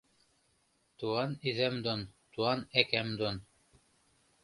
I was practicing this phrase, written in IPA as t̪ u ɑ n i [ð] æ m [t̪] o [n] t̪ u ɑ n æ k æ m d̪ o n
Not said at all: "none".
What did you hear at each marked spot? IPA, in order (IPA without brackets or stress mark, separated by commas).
ð, d̪, n